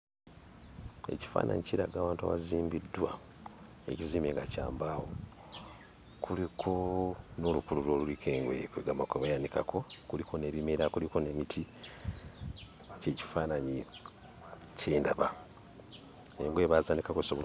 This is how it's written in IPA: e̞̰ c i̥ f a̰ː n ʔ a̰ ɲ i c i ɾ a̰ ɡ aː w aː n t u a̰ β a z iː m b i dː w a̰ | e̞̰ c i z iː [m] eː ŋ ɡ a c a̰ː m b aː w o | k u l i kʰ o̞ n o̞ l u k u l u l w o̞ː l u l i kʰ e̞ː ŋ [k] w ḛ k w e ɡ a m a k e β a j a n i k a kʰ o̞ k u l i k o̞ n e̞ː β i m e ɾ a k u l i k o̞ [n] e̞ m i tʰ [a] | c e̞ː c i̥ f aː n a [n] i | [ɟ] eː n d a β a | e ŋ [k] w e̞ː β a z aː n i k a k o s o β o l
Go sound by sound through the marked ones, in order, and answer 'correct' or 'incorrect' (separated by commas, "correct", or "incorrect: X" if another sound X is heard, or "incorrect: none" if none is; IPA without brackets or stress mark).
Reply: correct, incorrect: ɡ, correct, incorrect: i, incorrect: ɲ, incorrect: c, incorrect: ɡ